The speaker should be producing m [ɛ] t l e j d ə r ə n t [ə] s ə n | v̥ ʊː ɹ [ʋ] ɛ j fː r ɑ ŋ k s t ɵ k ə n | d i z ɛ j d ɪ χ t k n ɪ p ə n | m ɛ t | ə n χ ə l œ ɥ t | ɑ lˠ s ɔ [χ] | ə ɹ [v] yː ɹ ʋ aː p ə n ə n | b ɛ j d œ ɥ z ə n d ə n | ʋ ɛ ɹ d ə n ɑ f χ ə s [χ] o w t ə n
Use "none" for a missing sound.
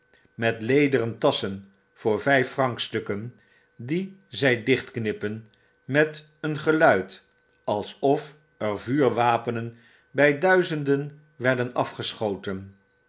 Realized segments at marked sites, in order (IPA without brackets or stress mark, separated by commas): ɛ, ɑ, v, f, v, χ